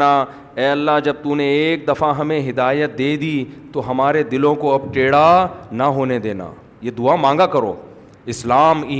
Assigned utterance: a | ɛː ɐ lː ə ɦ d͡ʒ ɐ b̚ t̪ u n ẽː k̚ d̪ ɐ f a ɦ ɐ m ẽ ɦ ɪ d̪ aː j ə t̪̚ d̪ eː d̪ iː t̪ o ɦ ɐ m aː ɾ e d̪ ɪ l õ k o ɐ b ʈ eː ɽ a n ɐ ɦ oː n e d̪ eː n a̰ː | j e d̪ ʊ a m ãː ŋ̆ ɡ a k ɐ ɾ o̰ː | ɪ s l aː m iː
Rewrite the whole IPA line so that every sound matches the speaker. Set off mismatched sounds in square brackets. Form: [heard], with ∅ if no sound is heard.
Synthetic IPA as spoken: a | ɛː ɐ lː [a] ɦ d͡ʒ ɐ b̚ t̪ u n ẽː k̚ d̪ ɐ f a ɦ ɐ m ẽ ɦ ɪ d̪ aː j ə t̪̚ d̪ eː d̪ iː t̪ o ɦ ɐ m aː ɾ e d̪ ɪ l õ k o ɐ b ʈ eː ɽ a n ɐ ɦ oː n e d̪ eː n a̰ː | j e d̪ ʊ a m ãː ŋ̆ ɡ a k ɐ ɾ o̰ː | ɪ s l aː m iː